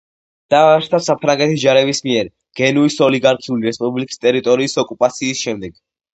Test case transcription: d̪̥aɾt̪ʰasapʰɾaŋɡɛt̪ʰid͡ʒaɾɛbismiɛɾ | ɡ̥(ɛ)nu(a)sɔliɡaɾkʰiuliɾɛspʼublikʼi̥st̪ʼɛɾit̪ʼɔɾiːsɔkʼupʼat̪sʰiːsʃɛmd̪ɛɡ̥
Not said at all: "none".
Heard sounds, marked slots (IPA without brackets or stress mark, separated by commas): ɛ, i